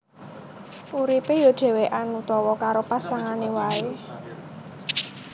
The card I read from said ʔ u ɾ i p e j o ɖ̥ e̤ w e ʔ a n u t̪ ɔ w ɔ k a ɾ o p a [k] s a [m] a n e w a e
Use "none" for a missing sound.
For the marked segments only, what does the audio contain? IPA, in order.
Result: none, ŋ

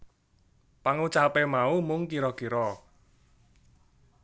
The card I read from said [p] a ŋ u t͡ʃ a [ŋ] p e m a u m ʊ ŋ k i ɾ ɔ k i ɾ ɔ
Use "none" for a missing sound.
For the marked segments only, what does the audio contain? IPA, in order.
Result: p, none

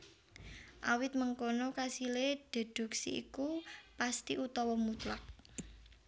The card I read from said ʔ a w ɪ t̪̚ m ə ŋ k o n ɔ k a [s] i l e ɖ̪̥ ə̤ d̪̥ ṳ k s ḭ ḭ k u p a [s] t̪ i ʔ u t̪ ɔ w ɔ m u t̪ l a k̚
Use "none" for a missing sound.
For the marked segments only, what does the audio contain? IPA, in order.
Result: s, s

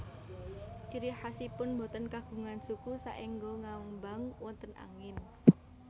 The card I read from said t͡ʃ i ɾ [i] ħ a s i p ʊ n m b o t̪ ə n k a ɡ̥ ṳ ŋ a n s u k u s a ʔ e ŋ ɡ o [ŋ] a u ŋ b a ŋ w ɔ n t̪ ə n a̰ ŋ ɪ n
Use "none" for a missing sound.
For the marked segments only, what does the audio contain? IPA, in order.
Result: i, ŋ

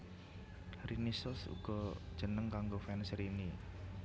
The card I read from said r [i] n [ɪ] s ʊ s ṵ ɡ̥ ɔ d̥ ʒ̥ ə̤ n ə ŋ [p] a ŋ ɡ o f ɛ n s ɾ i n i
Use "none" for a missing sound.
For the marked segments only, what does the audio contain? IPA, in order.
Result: i, i, k

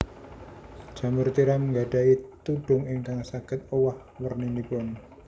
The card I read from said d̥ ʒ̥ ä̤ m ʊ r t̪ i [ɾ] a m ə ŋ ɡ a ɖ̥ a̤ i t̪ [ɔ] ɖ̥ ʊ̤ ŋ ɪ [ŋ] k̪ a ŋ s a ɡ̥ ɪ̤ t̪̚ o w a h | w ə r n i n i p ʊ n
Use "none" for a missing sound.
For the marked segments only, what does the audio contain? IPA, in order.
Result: ɾ, u, ŋ

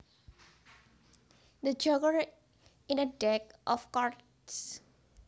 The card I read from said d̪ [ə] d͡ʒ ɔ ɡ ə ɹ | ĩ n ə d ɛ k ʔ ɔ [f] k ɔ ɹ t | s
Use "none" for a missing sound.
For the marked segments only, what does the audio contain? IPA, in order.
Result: ə, f

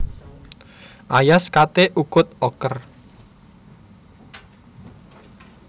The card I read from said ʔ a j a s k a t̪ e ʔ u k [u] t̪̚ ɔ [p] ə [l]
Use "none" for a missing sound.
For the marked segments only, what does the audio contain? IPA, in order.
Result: ʊ, k, r

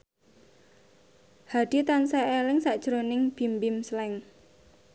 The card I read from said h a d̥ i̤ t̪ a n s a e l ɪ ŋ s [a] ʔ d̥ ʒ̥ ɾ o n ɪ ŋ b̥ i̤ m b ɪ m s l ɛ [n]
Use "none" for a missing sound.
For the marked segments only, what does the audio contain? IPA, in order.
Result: a, ŋ

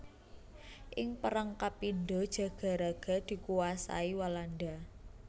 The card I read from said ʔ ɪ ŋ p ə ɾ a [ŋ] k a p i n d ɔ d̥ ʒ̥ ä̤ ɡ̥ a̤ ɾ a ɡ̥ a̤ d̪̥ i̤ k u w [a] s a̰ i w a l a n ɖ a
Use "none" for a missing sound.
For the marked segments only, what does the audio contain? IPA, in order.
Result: ŋ, a

